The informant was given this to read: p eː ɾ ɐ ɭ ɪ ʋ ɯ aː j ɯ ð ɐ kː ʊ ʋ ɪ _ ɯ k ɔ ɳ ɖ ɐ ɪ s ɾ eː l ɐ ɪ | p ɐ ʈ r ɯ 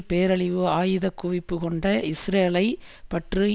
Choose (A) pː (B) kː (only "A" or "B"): A